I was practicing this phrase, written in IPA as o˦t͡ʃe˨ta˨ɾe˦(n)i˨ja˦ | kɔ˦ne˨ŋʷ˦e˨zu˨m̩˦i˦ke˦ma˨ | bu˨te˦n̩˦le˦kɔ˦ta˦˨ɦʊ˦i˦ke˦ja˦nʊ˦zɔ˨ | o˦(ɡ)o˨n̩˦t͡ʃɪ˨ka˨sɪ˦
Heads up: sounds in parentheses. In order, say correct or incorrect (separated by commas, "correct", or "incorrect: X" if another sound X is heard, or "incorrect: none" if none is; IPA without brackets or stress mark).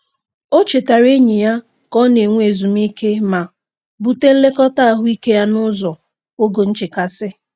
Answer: incorrect: ɲ, correct